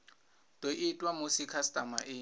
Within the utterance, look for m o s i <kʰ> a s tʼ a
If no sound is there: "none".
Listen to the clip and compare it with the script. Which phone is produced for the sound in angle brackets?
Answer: kʰ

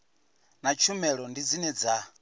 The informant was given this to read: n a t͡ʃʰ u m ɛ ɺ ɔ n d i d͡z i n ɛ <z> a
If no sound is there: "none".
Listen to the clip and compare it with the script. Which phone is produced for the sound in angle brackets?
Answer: d͡z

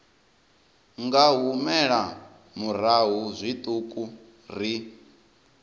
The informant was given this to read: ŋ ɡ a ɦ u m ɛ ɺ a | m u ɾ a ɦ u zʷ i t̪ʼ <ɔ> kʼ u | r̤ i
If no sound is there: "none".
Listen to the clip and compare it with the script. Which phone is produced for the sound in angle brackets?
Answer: u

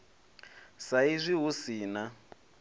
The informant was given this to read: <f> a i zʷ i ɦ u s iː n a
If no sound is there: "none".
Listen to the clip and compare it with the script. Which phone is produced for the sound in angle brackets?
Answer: s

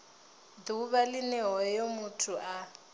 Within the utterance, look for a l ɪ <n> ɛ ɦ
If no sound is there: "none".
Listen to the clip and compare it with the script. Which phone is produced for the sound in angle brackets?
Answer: n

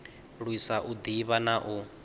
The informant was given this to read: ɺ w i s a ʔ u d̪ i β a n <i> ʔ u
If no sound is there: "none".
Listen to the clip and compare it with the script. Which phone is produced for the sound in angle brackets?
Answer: a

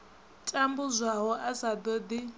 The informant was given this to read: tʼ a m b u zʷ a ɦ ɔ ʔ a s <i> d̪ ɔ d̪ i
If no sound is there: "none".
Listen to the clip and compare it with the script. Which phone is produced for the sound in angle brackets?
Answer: a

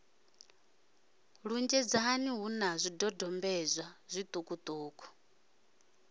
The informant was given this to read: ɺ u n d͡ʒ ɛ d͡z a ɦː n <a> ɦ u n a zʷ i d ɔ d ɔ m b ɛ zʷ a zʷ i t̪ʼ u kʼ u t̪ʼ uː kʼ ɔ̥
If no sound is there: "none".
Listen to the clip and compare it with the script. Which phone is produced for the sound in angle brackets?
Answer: i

